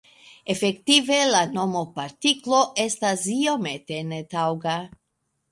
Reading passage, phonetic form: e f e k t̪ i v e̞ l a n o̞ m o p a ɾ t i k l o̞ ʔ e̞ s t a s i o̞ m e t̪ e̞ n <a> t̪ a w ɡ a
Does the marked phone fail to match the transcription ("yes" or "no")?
yes